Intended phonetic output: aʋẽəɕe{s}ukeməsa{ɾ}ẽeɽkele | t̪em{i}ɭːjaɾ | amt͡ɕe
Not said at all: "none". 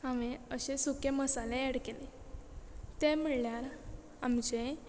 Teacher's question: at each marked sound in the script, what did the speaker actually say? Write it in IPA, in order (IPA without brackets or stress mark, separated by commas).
s, l, i